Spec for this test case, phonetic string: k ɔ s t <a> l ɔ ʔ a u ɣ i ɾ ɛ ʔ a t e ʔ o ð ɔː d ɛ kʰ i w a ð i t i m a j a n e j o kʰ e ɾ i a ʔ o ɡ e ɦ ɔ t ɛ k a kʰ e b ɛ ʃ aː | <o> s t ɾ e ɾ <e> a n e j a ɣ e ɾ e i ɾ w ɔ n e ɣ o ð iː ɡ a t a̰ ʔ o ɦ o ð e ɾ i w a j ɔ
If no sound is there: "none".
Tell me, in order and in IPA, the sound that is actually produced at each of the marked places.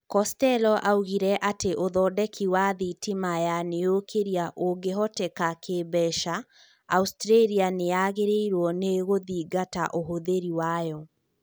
ɛ, u, i

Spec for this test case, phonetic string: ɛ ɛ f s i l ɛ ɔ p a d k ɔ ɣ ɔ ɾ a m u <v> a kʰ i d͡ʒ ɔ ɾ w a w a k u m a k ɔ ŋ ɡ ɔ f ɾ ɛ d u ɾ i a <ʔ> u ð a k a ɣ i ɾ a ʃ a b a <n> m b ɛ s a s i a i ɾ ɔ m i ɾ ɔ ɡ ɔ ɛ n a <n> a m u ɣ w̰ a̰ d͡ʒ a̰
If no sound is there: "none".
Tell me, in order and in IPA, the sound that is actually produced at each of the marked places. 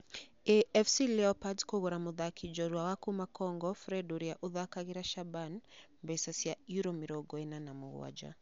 ð, ʔ, n, n

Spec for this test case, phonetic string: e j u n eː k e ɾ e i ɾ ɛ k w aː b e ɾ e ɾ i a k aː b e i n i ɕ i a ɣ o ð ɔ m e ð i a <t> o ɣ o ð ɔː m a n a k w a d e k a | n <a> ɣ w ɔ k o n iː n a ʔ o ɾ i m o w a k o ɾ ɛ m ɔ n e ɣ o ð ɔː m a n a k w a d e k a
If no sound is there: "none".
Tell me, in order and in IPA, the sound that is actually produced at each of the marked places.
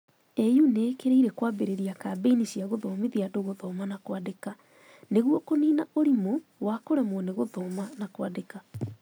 d, e

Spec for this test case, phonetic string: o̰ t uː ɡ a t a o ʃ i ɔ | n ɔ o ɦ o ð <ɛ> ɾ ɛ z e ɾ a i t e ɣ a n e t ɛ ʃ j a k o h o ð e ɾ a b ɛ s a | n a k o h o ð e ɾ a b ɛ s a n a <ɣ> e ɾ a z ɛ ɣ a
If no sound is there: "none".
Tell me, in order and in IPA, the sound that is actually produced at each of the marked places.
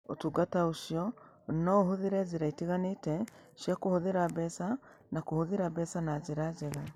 e, z

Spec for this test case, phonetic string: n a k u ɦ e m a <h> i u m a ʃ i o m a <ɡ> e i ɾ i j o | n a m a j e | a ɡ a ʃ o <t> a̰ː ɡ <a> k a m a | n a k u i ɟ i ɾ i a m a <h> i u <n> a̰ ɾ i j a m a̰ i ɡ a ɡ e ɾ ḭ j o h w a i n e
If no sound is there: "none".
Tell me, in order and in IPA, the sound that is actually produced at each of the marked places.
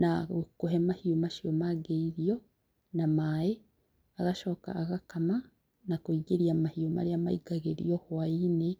h, ɡ, k, a, h, m

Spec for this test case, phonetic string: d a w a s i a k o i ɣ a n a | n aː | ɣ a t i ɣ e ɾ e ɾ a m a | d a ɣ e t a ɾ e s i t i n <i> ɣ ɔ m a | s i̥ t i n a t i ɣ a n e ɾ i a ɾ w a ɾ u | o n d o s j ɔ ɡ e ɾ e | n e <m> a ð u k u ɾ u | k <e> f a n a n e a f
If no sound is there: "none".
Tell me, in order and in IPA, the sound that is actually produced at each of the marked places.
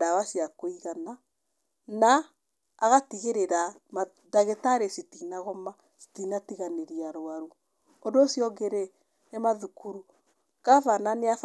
a, m, a

